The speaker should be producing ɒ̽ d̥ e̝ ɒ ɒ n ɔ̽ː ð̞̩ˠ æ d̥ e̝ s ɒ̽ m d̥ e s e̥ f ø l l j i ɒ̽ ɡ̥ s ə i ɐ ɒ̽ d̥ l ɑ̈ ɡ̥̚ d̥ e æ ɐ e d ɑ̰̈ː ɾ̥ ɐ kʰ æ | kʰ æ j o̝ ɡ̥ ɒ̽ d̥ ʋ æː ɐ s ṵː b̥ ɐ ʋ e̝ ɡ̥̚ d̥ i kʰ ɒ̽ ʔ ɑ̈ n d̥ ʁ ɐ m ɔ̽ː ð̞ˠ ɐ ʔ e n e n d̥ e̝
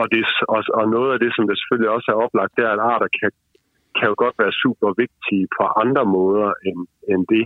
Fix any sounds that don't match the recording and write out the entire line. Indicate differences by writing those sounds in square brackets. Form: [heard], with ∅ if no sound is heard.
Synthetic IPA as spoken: ɒ̽ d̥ e̝ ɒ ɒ n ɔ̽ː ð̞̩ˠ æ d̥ e̝ s ɒ̽ m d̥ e s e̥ f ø l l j i ɒ̽ [∅] s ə [æ] ɐ ɒ̽ [b̥] l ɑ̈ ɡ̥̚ d̥ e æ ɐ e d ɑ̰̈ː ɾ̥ ɐ kʰ æ | kʰ æ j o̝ ɡ̥ ɒ̽ d̥ ʋ æː ɐ s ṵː b̥ ɐ ʋ e̝ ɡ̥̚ d̥ i [pʰ] ɒ̽ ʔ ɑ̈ n d̥ ʁ ɐ m ɔ̽ː ð̞ˠ ɐ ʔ e n e n d̥ e̝